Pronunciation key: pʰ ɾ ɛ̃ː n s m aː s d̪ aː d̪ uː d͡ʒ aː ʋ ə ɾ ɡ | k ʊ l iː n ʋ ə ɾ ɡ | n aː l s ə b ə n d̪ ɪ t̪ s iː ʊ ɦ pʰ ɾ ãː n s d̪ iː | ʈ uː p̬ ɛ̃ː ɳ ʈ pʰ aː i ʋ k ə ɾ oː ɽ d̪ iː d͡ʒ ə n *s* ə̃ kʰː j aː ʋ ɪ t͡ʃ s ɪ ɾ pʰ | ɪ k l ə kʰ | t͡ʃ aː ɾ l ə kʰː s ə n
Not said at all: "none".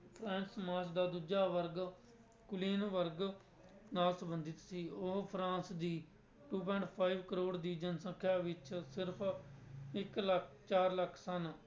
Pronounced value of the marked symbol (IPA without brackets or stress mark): s